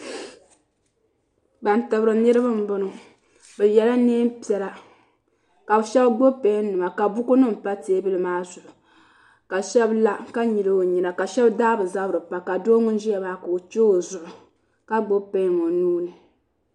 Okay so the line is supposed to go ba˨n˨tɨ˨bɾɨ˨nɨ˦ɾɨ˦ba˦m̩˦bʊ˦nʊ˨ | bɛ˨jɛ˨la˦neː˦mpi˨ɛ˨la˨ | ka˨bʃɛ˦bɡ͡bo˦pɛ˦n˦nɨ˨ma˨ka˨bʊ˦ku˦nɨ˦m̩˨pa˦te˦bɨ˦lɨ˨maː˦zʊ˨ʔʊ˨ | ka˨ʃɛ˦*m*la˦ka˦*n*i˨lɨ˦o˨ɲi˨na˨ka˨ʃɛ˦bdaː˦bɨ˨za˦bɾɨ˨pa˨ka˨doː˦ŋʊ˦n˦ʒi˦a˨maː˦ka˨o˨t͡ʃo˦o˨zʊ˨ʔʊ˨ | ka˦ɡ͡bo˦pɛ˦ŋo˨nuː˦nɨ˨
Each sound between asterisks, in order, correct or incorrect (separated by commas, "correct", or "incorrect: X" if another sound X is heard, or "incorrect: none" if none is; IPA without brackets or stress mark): incorrect: b, incorrect: ɲ